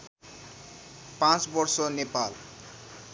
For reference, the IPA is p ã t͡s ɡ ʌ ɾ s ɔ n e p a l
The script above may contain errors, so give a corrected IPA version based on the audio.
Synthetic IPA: p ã t͡s b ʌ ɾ s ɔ n e p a l